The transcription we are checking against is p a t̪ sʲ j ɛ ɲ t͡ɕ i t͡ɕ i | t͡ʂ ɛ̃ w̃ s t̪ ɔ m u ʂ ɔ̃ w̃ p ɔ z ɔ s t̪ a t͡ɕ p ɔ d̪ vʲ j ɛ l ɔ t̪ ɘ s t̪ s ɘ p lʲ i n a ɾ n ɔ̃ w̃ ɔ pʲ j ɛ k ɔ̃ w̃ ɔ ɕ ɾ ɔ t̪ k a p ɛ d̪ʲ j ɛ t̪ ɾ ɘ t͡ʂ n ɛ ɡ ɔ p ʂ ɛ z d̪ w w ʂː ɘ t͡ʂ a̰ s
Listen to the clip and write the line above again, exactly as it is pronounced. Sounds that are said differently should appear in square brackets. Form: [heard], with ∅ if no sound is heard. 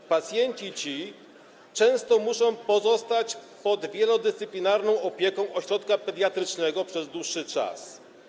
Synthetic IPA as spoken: p a t̪ sʲ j ɛ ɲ t͡ɕ i t͡ɕ i | t͡ʂ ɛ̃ w̃ s t̪ ɔ m u ʂ ɔ̃ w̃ p ɔ z ɔ s t̪ a t͡ɕ p ɔ d̪ vʲ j ɛ l ɔ [d̪] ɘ s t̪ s ɘ p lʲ i n a ɾ n ɔ̃ w̃ ɔ pʲ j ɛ k ɔ̃ w̃ ɔ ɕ ɾ ɔ t̪ k a p ɛ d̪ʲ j [a] t̪ ɾ ɘ t͡ʂ n ɛ ɡ ɔ p ʂ ɛ z d̪ w [u] ʂː ɘ t͡ʂ a̰ s